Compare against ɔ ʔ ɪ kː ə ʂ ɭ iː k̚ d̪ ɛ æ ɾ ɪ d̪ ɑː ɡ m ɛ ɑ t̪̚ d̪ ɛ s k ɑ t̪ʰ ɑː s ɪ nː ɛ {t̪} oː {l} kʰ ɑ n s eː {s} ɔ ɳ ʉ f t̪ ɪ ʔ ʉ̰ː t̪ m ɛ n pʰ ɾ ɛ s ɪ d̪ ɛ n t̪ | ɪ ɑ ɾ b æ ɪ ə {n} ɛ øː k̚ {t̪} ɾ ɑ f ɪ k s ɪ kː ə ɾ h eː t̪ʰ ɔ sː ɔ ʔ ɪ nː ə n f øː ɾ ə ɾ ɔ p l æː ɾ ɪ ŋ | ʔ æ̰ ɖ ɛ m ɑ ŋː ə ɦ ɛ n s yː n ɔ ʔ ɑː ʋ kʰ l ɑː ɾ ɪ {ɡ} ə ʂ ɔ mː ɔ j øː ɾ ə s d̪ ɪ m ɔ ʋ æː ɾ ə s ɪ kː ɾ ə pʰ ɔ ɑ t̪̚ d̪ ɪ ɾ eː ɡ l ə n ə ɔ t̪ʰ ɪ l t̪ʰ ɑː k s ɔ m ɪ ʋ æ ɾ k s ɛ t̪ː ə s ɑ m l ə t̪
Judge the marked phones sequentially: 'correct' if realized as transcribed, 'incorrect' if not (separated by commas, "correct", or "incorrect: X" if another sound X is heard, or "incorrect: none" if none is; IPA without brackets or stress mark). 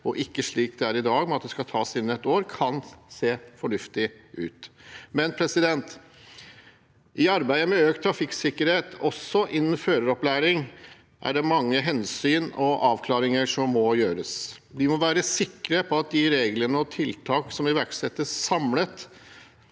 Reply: correct, incorrect: ɾ, incorrect: f, incorrect: m, incorrect: t̪ʰ, incorrect: ŋ